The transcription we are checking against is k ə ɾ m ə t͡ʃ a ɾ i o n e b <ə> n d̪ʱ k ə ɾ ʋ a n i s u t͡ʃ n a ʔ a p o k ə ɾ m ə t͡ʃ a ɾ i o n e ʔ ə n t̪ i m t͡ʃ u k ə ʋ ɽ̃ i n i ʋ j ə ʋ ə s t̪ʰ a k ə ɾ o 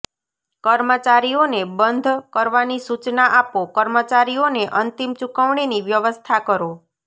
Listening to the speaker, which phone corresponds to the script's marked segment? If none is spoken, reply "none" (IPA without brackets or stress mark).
ə